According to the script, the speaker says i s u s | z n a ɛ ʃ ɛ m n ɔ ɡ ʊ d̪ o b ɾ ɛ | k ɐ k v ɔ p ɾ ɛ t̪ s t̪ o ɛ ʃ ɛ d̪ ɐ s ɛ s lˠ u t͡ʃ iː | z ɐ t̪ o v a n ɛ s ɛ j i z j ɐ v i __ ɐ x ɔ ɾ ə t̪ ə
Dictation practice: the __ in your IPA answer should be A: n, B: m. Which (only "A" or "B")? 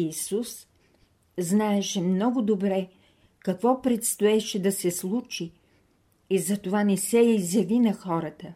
A